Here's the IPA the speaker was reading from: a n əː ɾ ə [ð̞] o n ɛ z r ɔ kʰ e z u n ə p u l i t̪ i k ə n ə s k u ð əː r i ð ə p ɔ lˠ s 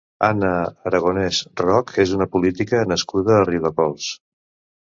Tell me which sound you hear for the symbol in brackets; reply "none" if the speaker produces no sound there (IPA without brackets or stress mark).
ɣ̞